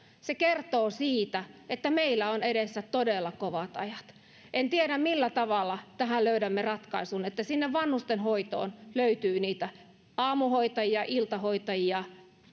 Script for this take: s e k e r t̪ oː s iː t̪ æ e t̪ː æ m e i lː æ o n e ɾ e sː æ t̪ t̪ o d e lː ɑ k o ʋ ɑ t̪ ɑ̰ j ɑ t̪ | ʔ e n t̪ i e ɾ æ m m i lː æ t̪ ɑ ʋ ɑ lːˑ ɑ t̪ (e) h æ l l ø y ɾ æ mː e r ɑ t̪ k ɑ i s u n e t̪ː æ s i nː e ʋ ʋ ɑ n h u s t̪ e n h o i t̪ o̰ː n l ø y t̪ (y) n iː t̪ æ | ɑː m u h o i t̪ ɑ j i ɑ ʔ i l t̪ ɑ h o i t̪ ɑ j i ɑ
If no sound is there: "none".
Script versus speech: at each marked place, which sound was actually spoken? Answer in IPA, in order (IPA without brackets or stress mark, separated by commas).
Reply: æ, yː